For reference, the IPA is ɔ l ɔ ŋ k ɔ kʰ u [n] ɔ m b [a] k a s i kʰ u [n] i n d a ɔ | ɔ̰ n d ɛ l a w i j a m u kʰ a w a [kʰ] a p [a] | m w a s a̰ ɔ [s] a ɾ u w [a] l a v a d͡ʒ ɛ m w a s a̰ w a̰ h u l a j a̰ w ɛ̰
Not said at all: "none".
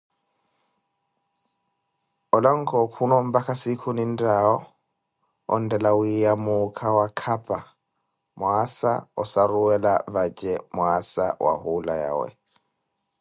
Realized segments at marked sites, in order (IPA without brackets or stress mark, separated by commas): n, a, n, kʰ, a, s, ɛ